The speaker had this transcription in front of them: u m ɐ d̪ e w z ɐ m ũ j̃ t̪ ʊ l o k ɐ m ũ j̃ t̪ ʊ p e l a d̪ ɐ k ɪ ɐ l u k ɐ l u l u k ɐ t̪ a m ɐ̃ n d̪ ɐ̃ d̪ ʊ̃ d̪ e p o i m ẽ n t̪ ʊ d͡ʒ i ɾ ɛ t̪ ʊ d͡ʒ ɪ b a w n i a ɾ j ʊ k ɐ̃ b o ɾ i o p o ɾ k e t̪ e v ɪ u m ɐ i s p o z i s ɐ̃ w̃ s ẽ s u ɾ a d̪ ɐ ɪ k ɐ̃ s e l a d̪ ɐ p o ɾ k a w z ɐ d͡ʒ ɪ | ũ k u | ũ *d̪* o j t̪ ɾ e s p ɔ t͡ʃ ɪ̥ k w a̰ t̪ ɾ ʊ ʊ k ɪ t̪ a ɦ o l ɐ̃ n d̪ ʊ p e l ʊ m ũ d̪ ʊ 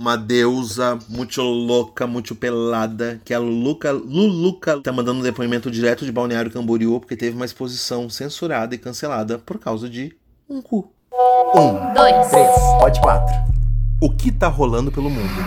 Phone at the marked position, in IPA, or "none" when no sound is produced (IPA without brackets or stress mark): d̪